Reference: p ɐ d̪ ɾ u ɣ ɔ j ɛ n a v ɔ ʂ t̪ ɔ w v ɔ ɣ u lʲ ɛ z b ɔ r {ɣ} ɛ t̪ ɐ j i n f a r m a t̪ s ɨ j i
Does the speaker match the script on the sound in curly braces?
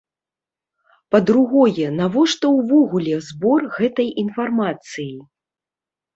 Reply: yes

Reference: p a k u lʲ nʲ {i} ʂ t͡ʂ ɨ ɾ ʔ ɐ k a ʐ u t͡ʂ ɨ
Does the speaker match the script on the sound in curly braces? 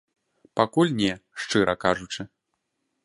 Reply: no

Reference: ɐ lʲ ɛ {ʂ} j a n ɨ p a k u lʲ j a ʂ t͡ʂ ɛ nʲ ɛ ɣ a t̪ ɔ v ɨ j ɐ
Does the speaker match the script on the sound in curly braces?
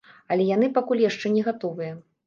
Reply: no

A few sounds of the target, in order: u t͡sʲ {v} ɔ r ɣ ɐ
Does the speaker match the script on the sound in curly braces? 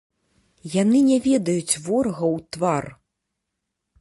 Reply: yes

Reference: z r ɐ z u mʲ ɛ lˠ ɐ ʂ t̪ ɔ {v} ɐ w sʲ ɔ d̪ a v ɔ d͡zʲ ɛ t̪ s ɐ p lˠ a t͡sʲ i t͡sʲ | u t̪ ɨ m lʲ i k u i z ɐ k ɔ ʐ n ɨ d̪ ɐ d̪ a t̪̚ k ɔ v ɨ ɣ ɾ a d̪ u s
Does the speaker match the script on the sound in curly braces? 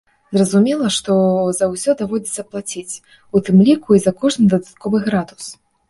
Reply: no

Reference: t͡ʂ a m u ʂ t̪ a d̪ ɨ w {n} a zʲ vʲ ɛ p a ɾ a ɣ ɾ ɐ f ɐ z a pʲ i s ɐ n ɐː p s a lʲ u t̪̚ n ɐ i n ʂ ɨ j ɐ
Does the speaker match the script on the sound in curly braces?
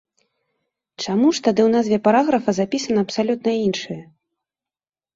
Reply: yes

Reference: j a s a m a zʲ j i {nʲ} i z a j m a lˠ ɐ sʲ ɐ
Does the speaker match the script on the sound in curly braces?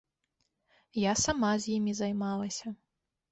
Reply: no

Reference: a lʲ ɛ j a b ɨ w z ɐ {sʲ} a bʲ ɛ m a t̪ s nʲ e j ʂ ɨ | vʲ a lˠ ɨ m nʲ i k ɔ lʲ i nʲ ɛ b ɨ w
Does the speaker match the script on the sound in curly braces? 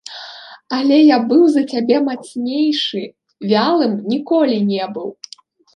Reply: no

